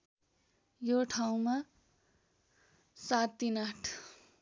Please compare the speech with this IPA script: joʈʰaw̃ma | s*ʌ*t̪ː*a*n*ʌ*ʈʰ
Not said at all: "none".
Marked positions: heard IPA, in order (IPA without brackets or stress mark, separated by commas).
a, i, a